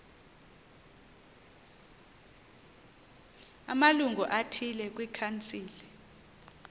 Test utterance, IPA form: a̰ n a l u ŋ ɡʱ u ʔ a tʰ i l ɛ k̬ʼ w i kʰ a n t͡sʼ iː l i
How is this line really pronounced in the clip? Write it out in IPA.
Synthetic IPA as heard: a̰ m a l u ŋ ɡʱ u ʔ a tʰ i l ɛ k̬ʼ w i kʰ a n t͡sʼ iː l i